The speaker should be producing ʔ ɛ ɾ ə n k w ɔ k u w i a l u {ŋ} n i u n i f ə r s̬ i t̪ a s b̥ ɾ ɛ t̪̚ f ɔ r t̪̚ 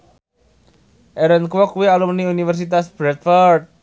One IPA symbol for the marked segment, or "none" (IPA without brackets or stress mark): m